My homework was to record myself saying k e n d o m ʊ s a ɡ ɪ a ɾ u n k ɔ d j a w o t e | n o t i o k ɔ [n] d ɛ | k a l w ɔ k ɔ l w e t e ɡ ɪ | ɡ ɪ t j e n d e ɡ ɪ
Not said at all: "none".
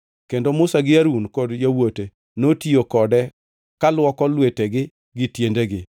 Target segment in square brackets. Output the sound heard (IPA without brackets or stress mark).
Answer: none